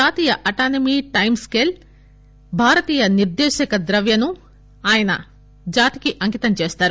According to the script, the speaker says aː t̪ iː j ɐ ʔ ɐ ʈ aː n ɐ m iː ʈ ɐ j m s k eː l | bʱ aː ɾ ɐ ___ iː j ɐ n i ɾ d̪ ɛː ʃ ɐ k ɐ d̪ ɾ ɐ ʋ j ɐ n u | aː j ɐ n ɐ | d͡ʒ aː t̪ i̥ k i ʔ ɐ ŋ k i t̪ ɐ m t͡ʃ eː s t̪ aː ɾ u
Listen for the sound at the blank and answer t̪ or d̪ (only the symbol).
t̪